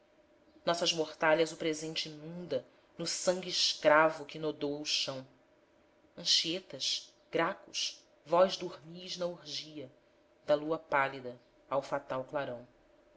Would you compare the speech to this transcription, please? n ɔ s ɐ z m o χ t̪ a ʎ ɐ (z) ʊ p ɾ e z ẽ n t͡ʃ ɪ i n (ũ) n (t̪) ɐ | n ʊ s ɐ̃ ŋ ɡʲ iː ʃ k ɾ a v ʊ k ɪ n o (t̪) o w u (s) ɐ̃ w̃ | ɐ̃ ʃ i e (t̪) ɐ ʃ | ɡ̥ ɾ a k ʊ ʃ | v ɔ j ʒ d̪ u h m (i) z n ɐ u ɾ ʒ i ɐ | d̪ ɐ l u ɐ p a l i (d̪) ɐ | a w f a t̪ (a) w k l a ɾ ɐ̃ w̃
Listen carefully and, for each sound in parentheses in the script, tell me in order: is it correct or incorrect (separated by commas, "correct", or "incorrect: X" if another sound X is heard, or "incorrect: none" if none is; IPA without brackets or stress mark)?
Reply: correct, correct, incorrect: d̪, incorrect: d̪, incorrect: ʃ, correct, correct, correct, correct